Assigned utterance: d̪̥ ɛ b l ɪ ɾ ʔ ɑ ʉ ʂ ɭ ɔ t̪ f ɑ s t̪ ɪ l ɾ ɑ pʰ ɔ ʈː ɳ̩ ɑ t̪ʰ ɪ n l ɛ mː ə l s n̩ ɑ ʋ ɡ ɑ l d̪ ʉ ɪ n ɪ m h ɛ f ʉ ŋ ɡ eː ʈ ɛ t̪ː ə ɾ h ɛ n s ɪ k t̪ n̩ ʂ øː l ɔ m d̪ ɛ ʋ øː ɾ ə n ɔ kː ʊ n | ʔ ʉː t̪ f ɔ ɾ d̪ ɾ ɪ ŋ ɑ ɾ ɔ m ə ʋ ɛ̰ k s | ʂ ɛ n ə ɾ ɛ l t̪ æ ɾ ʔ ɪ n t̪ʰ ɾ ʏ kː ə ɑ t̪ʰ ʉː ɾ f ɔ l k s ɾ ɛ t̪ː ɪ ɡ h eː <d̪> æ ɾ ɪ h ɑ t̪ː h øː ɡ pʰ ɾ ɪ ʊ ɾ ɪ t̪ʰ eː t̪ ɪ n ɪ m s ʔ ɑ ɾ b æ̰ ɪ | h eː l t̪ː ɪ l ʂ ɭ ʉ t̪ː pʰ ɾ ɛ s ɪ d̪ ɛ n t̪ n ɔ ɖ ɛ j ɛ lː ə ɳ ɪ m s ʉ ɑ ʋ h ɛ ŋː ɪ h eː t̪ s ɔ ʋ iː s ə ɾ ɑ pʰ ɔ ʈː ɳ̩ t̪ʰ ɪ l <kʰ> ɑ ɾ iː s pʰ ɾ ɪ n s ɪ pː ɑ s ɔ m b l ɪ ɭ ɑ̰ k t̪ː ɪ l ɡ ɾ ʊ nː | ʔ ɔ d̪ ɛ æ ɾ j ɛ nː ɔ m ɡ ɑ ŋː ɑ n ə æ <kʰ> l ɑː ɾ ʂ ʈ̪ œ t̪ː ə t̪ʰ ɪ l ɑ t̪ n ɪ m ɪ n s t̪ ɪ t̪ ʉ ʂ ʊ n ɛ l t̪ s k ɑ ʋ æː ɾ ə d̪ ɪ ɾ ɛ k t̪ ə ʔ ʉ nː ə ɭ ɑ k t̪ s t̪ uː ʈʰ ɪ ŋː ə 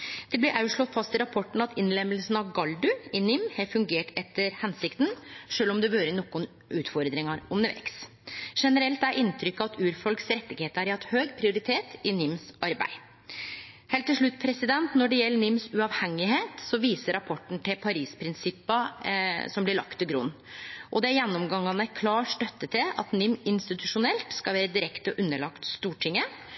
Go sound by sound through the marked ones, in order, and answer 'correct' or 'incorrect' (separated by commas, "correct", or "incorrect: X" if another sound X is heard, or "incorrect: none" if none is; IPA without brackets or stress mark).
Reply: incorrect: t̪, incorrect: pʰ, correct